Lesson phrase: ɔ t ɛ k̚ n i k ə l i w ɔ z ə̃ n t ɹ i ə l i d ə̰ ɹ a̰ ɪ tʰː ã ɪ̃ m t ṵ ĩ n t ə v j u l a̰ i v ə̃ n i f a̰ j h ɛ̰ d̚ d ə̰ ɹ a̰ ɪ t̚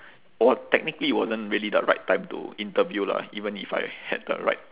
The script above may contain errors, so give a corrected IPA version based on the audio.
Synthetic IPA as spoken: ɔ t ɛ k̚ n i k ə l i w ɔ z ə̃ n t ɹ i ə l i d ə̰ ɹ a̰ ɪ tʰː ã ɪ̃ m t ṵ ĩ n t ə v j u l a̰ i v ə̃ n i f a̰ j h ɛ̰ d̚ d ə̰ ɹ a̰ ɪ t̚